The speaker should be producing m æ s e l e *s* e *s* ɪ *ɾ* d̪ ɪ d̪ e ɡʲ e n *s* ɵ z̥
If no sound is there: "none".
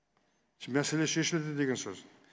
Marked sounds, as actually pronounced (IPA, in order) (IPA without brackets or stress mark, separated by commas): ʃ, ʃ, l, s